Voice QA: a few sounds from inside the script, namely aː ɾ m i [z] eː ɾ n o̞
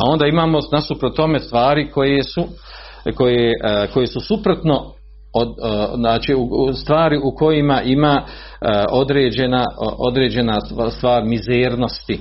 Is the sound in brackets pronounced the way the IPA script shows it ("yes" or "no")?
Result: yes